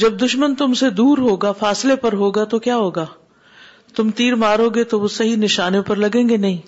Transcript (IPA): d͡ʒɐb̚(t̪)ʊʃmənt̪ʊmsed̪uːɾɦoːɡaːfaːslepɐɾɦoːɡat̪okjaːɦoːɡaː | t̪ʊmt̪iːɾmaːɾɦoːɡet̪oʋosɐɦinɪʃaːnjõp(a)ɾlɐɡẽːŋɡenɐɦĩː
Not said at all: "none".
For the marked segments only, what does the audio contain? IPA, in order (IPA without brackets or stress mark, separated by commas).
d̪, ɐ